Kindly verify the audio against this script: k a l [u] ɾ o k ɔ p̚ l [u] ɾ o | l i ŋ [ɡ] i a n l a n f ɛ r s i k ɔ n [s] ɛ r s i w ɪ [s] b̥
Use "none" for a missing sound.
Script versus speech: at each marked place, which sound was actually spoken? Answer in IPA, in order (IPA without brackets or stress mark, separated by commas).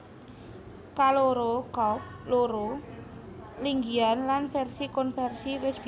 o, o, ɡ, f, s